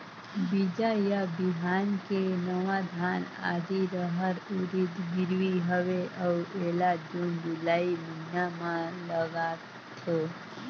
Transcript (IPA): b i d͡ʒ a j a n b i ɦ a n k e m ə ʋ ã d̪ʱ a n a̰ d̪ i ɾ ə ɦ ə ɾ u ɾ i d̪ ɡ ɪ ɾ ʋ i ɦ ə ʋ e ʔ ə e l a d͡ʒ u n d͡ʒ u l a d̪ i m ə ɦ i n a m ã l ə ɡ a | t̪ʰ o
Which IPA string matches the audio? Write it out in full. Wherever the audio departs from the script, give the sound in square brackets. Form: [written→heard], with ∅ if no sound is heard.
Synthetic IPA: b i d͡ʒ a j a [n→∅] b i ɦ a n k e [m→n] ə ʋ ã d̪ʱ a n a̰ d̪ i ɾ ə ɦ ə ɾ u ɾ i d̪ ɡ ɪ ɾ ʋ i ɦ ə ʋ e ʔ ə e l a d͡ʒ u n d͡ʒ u l a [d̪→∅] i m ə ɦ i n a m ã l ə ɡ a | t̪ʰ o